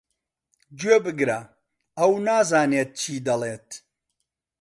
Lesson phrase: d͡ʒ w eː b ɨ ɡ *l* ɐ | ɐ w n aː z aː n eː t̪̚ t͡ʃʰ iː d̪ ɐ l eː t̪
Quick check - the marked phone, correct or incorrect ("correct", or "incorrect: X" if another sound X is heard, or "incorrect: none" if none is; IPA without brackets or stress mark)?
incorrect: ɾ